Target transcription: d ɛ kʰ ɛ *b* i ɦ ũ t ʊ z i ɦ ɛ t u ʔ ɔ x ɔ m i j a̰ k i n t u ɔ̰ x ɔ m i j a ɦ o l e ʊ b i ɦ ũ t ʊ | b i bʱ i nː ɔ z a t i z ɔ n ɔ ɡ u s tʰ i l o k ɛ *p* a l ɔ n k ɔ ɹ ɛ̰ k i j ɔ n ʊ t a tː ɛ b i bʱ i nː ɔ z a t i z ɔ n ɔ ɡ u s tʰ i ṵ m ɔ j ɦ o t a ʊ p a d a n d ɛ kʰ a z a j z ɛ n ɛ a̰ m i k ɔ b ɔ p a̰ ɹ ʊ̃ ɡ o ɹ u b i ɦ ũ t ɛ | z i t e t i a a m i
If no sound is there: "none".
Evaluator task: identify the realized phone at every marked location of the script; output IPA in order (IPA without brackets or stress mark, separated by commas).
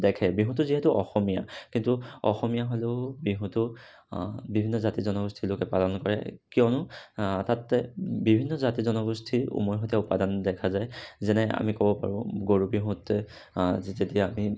b, p